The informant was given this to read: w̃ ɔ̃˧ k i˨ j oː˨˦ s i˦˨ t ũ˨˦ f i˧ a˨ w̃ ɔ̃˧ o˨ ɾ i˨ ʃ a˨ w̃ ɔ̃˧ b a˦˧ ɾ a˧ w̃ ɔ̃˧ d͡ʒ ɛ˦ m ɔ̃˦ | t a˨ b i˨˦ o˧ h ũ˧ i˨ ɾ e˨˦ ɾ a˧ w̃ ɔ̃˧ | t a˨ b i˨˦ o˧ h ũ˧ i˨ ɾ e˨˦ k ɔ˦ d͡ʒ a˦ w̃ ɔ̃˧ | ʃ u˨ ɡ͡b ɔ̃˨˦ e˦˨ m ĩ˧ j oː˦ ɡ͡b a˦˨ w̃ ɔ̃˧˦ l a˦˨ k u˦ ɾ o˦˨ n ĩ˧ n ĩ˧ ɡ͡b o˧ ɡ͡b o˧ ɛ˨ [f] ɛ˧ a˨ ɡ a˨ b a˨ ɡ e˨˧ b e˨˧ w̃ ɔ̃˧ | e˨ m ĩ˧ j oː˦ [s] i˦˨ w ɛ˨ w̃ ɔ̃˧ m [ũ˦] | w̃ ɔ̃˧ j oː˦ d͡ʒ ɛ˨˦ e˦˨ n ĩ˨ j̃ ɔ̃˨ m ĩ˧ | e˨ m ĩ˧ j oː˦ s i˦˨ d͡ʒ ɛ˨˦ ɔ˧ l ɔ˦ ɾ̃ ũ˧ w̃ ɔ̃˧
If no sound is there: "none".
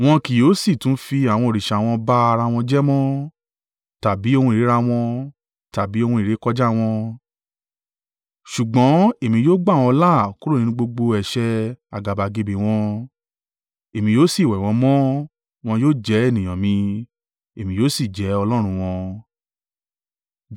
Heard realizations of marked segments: ʃ, s, ɔ̃˦

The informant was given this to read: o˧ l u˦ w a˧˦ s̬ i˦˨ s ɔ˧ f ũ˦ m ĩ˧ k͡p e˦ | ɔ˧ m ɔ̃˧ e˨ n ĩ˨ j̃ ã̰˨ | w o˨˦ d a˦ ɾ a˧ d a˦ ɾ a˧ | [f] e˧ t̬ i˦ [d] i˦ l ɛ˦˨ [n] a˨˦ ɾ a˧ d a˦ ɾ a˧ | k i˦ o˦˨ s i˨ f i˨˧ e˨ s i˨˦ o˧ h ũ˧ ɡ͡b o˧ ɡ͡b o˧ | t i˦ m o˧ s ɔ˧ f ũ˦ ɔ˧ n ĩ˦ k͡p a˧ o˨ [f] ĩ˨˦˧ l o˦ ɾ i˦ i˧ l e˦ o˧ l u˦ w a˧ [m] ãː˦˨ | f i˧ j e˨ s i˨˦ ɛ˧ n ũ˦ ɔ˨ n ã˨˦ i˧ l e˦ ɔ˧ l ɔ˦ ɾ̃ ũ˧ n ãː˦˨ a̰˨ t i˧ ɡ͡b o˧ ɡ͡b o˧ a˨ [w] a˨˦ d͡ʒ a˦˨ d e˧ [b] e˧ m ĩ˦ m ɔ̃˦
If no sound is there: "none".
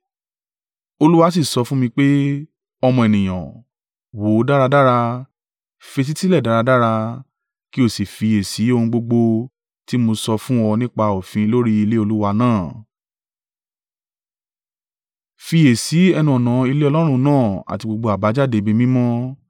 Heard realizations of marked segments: f, t, d, f, n, b, b

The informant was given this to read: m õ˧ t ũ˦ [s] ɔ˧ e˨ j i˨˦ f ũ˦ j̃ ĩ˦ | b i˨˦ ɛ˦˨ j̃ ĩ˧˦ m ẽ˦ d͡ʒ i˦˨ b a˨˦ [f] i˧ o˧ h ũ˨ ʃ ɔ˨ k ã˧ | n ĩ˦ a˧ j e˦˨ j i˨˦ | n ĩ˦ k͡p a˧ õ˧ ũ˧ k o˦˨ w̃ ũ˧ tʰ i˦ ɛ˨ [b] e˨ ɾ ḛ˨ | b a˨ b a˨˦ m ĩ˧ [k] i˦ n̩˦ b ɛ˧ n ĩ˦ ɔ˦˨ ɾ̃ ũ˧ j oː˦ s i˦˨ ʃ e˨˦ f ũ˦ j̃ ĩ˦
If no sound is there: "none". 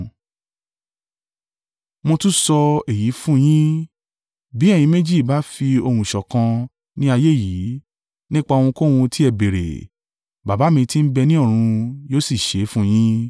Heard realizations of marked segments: s, f, b, t

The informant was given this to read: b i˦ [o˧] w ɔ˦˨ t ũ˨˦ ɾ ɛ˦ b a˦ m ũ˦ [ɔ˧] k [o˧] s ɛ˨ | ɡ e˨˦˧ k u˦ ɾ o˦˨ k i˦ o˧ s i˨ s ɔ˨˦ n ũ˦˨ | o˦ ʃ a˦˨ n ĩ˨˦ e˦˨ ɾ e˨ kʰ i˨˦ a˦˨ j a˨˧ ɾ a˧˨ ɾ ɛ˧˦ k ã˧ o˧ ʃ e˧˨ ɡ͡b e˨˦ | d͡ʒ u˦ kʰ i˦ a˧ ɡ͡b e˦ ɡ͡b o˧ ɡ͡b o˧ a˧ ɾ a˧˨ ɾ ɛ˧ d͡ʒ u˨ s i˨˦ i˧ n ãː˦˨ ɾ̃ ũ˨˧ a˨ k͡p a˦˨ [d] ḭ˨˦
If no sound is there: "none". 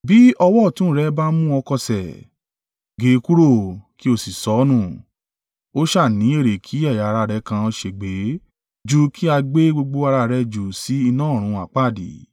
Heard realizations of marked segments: ɔ˧, ɔ˧, ɔ˧, d

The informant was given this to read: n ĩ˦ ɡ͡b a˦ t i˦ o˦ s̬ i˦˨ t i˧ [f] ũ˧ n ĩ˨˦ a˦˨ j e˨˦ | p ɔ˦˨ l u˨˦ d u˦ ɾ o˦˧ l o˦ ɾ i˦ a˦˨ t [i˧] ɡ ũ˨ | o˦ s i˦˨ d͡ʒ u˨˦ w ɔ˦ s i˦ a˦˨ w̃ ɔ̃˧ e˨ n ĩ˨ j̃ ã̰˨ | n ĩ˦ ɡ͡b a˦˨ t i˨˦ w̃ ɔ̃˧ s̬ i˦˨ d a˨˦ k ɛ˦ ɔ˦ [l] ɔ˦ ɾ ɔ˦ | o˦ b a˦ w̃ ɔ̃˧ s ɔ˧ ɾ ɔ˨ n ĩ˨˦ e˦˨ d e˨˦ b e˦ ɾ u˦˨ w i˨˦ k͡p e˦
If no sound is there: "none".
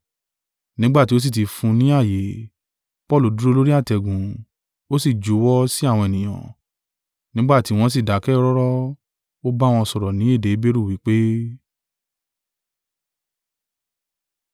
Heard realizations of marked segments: f, ɛ˧, ɾ

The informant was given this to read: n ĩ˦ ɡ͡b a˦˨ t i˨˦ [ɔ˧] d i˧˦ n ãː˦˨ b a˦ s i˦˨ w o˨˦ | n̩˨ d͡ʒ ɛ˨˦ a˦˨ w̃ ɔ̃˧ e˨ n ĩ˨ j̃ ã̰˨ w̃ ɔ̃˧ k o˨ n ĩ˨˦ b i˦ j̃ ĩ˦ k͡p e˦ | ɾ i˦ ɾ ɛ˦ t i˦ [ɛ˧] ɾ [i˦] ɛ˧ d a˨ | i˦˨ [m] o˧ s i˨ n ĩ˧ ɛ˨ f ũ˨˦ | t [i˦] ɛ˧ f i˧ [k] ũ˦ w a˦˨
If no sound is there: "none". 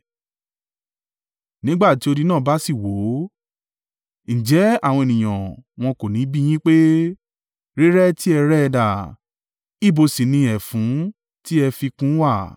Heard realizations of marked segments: o˧, ɛ˧, ɛ˦, b, i˦, k

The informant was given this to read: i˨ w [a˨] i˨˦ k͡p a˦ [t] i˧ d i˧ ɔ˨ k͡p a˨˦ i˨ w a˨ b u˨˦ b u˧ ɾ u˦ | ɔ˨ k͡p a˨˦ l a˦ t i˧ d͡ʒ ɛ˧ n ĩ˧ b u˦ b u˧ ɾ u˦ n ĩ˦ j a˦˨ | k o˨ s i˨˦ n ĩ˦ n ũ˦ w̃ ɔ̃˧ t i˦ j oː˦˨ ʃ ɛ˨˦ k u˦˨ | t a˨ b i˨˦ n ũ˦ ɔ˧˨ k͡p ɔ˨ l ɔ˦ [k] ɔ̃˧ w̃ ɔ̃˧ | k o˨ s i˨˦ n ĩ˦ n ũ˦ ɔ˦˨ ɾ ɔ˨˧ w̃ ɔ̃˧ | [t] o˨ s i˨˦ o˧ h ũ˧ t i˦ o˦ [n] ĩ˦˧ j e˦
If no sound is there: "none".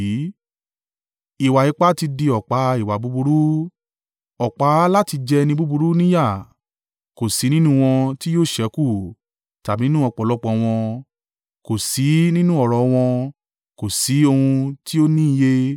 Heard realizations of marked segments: a˨, t, k͡p, k, n

